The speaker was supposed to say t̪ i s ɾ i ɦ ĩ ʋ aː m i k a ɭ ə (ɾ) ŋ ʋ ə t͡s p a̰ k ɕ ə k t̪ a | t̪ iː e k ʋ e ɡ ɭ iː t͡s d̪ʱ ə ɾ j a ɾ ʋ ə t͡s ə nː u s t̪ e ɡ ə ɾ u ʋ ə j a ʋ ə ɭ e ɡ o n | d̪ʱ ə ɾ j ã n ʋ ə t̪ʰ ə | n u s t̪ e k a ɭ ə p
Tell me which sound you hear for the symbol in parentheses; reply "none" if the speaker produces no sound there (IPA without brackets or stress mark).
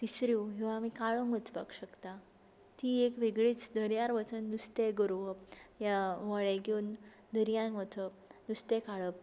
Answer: none